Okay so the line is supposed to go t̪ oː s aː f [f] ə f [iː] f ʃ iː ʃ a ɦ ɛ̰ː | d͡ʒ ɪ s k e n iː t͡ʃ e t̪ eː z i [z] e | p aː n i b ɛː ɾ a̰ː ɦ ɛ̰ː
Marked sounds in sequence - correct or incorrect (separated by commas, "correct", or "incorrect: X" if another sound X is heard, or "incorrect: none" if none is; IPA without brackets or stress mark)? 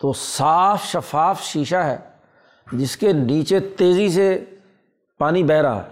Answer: incorrect: ʃ, incorrect: aː, incorrect: s